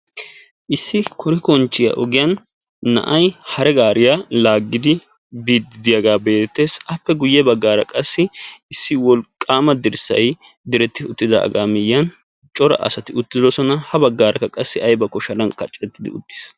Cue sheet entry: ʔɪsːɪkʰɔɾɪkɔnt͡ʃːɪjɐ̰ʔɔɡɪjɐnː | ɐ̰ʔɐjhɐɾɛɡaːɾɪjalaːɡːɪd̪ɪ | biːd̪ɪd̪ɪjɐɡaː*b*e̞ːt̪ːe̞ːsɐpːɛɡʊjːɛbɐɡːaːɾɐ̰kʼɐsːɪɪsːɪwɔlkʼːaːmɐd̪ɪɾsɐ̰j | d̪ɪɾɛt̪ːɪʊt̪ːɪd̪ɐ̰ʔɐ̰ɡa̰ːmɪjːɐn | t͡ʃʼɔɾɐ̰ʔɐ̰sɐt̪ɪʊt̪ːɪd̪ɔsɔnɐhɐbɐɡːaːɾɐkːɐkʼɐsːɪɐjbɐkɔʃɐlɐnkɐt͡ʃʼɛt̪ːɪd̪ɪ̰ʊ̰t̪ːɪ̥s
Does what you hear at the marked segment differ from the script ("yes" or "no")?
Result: no